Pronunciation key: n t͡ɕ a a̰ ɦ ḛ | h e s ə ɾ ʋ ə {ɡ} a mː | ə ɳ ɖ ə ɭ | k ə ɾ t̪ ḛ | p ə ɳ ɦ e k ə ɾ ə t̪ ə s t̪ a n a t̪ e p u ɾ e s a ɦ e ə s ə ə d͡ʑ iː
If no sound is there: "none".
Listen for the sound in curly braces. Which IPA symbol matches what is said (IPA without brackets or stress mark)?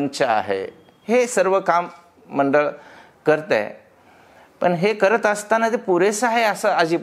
k